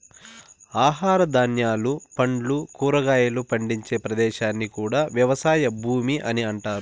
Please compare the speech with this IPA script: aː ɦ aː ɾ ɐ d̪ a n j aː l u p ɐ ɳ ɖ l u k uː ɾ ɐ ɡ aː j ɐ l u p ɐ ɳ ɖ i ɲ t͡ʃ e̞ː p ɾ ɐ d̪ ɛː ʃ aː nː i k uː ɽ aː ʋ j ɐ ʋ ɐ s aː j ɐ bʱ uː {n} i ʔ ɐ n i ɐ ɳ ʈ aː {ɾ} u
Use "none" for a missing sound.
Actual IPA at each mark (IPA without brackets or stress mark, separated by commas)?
m, ɾ